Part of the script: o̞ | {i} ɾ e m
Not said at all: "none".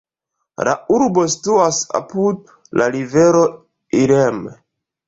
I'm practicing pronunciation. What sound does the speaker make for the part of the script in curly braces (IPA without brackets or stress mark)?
i